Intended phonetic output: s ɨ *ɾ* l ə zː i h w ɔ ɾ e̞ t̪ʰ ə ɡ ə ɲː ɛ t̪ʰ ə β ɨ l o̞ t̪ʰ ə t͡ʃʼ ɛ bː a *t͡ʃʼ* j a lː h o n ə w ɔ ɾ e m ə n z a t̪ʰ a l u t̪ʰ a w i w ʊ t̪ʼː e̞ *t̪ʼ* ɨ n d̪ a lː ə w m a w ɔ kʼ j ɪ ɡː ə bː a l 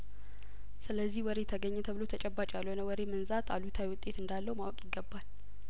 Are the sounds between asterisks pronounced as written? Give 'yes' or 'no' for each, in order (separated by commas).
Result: no, yes, no